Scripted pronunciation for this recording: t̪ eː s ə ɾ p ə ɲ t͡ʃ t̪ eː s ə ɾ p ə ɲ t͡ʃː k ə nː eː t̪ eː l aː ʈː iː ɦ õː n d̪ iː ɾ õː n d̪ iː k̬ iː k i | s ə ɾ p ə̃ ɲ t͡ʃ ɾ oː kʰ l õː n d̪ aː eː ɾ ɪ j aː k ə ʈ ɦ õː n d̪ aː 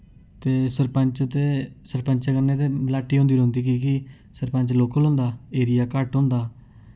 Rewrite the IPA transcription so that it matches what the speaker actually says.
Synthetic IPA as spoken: t̪ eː s ə ɾ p ə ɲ t͡ʃ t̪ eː s ə ɾ p ə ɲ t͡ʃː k ə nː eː t̪ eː l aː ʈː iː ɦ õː n d̪ iː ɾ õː n d̪ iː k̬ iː k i | s ə ɾ p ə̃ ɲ t͡ʃ l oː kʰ l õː n d̪ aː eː ɾ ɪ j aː k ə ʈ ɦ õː n d̪ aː